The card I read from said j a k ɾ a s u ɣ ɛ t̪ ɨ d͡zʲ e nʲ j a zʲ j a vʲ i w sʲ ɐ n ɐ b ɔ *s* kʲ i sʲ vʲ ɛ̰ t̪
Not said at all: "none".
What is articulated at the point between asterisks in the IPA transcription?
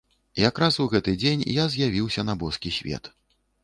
s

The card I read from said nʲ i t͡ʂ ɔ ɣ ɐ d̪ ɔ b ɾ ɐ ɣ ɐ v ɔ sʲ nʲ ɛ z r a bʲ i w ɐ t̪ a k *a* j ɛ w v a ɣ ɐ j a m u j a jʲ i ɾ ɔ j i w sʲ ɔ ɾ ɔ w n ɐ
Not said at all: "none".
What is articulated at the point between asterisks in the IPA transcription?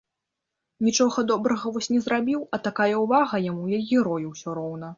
a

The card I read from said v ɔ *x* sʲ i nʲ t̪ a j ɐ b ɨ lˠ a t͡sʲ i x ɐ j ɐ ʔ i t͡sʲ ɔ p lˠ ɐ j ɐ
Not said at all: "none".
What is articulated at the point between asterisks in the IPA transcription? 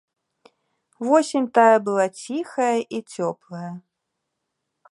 none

